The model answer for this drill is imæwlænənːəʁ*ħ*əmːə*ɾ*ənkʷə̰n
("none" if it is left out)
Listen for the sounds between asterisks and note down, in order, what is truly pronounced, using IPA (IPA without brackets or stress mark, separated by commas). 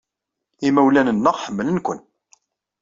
ħ, l